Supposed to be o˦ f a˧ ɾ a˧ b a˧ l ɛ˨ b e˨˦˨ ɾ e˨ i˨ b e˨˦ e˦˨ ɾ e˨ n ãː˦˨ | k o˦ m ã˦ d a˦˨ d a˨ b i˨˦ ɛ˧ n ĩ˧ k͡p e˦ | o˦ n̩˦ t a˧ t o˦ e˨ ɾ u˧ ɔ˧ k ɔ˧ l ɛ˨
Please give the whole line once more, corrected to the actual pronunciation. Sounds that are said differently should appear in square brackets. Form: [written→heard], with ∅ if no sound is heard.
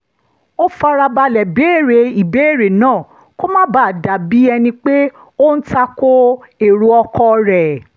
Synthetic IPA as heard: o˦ f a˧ ɾ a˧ b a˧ l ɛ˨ b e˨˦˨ ɾ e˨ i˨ b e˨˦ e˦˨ ɾ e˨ n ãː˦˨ | k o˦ m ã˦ [d→b] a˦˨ d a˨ b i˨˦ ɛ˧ n ĩ˧ k͡p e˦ | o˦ n̩˦ t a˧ [t→k] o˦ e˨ ɾ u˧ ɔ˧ k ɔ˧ [l→ɾ] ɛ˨